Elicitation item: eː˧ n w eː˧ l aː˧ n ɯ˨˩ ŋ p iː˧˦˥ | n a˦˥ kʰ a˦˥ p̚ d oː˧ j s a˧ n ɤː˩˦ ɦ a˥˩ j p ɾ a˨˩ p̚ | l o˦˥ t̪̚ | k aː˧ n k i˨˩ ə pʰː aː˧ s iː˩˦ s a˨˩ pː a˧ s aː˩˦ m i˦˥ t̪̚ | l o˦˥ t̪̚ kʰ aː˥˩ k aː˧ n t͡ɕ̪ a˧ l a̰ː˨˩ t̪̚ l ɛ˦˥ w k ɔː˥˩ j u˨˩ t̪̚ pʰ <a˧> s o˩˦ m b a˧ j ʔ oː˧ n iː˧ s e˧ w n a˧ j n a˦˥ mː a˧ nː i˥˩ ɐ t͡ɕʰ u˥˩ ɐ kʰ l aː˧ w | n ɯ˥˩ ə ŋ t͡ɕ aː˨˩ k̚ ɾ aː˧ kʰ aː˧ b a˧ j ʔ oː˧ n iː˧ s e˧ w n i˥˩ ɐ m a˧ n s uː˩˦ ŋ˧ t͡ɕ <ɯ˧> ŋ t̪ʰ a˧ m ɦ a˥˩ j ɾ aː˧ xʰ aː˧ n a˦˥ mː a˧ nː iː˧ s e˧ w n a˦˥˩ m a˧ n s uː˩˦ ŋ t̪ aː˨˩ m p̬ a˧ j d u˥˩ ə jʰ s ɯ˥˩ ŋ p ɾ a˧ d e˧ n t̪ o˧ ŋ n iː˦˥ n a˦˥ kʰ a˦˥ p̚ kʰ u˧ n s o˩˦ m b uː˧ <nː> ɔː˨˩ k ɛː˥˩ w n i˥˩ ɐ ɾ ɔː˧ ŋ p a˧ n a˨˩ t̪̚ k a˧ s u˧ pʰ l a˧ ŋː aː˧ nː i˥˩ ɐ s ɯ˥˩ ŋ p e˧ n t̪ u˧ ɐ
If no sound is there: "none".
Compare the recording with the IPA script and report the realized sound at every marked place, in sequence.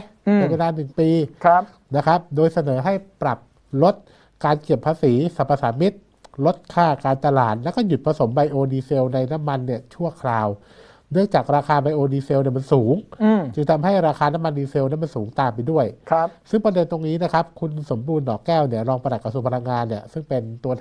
a˧, ɯ˧, nː

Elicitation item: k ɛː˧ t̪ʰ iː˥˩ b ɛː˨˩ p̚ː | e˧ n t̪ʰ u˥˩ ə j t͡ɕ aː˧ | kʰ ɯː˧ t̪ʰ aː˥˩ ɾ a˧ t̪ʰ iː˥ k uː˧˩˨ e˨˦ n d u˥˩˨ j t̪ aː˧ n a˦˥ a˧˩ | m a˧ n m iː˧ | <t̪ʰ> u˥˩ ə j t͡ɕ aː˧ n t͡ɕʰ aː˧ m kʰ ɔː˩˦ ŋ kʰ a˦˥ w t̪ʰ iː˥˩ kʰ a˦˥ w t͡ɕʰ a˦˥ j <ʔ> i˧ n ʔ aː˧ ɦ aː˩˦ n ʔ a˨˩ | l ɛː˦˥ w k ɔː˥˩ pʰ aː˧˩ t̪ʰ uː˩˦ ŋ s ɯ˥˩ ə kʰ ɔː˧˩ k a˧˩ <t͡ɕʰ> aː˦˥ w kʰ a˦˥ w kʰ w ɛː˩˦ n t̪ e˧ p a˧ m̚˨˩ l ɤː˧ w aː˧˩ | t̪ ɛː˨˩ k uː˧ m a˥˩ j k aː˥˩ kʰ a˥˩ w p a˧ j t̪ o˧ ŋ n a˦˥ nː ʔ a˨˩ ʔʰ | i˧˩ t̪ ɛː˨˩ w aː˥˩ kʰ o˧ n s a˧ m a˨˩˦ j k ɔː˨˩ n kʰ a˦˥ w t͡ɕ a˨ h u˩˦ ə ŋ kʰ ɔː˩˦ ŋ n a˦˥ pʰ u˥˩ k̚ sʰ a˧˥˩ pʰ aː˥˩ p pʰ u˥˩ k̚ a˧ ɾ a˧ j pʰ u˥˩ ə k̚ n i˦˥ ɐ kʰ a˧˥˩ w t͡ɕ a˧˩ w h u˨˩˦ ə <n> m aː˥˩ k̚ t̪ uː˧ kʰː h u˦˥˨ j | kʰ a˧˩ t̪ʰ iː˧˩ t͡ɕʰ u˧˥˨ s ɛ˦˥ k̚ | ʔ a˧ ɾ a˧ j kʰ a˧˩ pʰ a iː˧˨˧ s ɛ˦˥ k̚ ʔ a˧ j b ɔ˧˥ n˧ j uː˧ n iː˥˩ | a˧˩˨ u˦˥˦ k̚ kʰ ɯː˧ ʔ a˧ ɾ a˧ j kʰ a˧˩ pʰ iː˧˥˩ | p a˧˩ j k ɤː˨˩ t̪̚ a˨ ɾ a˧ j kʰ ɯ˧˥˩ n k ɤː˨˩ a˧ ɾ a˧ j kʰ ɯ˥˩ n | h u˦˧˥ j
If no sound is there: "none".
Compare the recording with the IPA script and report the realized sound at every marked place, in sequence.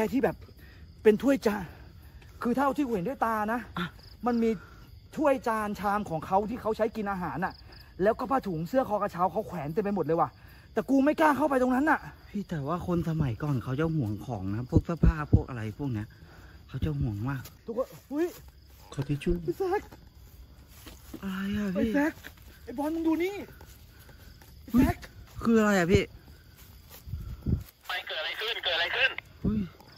t̪ʰ, k, t͡ɕʰ, ŋ

